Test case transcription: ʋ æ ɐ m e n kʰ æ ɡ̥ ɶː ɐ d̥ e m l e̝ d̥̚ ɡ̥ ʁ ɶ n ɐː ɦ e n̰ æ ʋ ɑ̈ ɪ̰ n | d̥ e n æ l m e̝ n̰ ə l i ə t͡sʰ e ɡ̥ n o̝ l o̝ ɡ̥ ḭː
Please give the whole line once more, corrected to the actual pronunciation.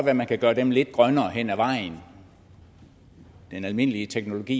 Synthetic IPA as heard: ʋ æ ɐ m æ n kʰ æ ɡ̥ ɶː ɐ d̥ e m l e̝ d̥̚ ɡ̥ ʁ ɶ n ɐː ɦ e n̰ æ ʋ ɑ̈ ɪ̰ n | d̥ e n æ l m e̝ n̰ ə l i ə t͡sʰ e ɡ̥ n o̝ l o̝ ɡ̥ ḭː